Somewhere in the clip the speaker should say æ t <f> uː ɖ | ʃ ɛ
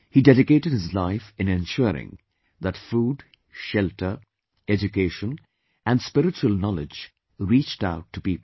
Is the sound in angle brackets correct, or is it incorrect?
correct